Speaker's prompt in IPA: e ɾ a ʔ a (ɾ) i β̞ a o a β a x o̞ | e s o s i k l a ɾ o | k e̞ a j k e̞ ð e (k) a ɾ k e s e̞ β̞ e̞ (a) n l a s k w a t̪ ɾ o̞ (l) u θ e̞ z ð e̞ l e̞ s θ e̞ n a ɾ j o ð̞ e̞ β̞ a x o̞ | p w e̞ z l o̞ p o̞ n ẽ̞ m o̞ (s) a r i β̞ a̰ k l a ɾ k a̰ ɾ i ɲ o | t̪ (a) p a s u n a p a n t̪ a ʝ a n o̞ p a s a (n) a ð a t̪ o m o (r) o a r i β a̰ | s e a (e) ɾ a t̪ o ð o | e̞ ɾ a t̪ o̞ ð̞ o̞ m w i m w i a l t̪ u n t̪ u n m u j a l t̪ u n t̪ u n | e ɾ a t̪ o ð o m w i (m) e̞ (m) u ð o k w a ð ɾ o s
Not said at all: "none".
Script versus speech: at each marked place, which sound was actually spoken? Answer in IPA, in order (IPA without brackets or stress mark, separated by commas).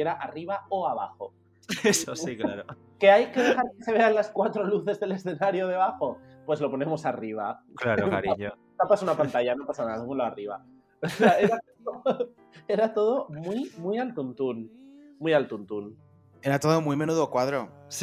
r, x, a, l, s, a, n, l, e, m, n